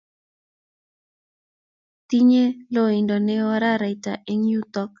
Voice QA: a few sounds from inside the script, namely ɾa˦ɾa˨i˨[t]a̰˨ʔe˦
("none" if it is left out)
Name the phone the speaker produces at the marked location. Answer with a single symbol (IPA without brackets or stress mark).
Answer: t